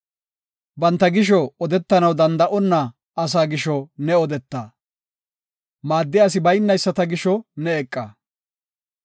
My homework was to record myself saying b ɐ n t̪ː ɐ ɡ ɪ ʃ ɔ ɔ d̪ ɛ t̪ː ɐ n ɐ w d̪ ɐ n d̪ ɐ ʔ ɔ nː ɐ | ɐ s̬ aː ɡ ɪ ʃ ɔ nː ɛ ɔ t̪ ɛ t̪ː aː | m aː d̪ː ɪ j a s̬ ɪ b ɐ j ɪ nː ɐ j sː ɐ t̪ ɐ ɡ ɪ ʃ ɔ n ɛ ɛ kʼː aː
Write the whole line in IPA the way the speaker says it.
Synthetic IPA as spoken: b ɐ n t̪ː ɐ ɡ ɪ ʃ ɔ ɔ d̪ ɛ t̪ː ɐ n ɐ w d̪ ɐ n d̪ ɐ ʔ ɔ nː ɐ | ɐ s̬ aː ɡ ɪ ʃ ɔ n ɛ ɔ d̪ ɛ t̪ː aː | m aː d̪ː ɪ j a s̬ ɪ b ɐ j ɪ nː ɐ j sː ɐ t̪ ɐ ɡ ɪ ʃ ɔ n ɛ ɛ kʼː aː